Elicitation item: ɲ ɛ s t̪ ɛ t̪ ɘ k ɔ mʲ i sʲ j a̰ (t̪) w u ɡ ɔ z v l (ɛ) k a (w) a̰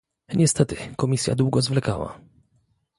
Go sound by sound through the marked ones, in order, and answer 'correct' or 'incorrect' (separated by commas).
incorrect, correct, correct